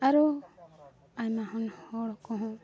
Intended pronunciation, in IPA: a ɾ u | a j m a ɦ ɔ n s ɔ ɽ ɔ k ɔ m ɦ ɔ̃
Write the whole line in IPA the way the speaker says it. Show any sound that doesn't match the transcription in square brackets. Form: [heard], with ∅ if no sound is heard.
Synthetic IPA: a ɾ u | a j m a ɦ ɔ n [h] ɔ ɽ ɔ k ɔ [∅] ɦ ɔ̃